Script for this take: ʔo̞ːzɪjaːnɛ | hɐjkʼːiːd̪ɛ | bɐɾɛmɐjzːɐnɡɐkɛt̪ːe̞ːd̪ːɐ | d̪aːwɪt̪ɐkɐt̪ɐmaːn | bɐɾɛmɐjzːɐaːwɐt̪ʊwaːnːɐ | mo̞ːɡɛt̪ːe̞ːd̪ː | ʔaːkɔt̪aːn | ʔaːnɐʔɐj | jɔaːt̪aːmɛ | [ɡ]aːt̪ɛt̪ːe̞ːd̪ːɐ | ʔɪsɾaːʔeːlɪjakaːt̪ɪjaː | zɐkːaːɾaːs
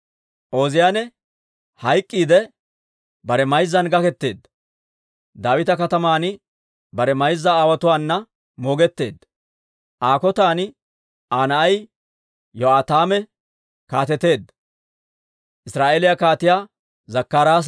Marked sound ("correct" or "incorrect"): incorrect